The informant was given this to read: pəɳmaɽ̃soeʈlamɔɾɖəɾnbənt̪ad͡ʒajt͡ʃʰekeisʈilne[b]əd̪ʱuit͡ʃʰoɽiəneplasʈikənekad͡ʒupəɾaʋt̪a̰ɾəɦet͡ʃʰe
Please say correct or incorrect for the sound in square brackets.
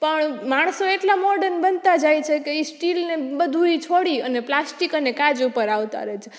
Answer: correct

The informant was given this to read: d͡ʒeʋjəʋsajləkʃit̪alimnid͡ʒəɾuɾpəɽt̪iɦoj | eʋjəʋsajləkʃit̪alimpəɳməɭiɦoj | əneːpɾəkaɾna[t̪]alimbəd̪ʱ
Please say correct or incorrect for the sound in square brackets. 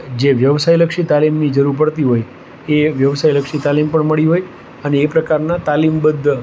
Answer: correct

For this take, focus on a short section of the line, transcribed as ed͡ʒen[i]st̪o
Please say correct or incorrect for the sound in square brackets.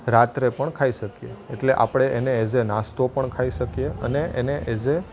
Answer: incorrect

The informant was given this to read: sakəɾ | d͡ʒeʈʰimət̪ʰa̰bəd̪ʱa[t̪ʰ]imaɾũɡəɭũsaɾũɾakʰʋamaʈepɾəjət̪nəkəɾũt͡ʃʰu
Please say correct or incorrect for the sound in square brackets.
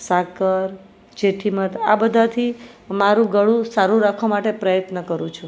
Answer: correct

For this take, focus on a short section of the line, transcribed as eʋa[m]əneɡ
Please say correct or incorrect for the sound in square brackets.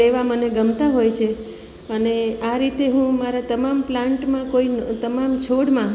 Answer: correct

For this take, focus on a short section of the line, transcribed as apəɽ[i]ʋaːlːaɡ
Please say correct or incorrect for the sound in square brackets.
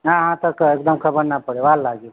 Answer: incorrect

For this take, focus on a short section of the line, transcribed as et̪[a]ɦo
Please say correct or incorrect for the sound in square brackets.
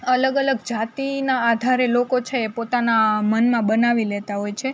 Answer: correct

